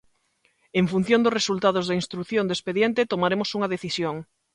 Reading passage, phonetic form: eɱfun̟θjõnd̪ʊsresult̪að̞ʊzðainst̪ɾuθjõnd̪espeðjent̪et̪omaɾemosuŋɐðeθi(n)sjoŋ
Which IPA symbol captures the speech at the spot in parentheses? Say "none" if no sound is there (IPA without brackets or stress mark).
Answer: none